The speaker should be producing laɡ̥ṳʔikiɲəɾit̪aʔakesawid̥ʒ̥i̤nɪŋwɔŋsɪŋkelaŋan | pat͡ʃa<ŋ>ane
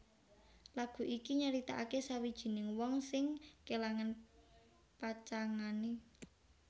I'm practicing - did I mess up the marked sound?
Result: no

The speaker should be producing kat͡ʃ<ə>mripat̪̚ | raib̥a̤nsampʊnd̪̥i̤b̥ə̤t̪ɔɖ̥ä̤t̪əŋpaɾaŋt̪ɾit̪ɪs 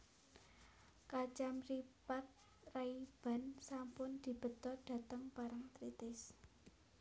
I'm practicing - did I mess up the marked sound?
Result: yes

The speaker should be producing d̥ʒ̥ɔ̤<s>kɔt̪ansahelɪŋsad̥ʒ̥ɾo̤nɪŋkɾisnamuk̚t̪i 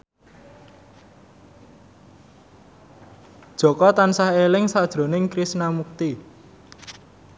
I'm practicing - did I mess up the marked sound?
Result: yes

